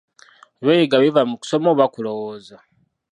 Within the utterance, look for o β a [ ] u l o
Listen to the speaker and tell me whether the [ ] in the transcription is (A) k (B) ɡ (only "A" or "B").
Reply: A